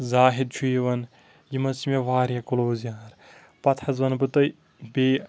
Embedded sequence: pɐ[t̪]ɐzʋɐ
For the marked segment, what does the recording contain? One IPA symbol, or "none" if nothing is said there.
t̪ʰ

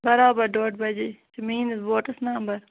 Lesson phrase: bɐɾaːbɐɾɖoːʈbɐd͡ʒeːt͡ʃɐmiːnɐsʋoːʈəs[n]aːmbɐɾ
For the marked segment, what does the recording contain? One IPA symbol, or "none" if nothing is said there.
n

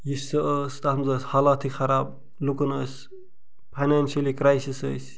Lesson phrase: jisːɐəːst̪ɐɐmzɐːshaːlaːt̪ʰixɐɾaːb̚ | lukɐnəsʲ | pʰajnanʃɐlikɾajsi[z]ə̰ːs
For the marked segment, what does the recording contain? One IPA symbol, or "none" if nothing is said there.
s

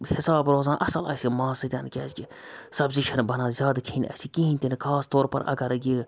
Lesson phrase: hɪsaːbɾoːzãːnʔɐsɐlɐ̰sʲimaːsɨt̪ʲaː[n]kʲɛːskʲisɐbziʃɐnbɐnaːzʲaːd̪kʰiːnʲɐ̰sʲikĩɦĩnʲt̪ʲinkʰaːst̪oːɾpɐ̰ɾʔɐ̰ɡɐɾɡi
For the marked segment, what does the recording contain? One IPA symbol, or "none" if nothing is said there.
n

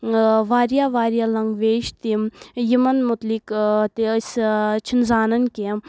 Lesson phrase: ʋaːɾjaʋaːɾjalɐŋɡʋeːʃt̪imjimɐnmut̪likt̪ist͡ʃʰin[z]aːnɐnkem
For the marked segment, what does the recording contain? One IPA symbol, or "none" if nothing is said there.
z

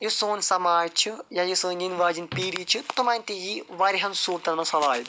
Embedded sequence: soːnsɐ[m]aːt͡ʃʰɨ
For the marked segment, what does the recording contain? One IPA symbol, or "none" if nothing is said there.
m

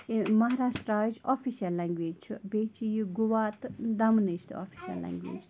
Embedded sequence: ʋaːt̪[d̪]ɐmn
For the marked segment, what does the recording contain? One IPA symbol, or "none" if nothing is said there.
d̪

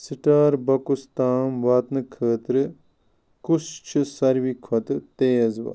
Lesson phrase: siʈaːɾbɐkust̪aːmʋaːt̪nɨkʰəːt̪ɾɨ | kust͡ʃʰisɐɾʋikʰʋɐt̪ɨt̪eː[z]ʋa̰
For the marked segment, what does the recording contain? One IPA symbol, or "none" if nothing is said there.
z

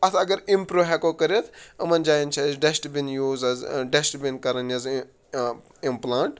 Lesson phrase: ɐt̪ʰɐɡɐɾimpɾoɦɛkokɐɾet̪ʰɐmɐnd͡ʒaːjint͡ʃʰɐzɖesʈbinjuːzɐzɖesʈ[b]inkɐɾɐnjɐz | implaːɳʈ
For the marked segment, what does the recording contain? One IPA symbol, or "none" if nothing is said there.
b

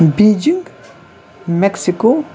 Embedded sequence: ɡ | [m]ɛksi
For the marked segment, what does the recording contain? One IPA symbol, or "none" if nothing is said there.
m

